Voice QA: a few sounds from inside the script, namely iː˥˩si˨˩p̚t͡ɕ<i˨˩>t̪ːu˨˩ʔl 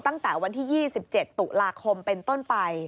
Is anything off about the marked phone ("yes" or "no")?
yes